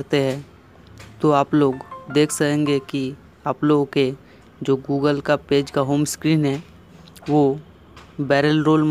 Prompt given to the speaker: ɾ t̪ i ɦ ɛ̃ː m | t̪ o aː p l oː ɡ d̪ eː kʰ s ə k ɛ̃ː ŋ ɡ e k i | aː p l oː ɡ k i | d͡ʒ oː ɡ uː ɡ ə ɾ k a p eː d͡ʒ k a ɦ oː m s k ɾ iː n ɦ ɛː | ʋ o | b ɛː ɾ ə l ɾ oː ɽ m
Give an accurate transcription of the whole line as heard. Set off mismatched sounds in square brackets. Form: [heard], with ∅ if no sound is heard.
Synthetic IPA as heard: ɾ t̪ [e] ɦ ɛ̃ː [∅] | t̪ o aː p l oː ɡ d̪ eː kʰ s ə k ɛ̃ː ŋ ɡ e k i | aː p l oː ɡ k [e] | d͡ʒ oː ɡ uː ɡ ə [l] k a p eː d͡ʒ k a ɦ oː m s k ɾ iː n ɦ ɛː | ʋ o | b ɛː ɾ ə l ɾ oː [l] m